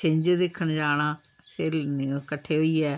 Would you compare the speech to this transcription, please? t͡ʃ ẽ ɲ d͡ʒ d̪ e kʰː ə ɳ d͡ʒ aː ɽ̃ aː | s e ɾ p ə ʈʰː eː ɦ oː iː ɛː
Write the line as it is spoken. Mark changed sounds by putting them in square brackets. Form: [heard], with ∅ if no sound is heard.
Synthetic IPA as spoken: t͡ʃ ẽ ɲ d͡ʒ d̪ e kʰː ə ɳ d͡ʒ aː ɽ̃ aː | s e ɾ [k] ə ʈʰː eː ɦ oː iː ɛː